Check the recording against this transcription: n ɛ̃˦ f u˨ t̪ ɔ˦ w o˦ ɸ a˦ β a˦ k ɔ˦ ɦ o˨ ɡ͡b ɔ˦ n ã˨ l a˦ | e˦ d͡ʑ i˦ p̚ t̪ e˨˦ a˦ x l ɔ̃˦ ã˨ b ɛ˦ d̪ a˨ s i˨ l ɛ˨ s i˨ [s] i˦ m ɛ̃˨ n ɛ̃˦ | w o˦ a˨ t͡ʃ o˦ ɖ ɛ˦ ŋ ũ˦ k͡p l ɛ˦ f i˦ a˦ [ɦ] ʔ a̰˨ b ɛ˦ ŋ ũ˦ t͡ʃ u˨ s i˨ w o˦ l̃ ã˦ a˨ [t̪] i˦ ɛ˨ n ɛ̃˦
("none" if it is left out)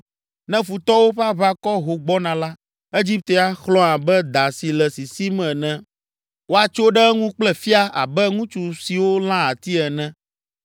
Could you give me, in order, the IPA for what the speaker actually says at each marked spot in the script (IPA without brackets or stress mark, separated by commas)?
s, none, t̪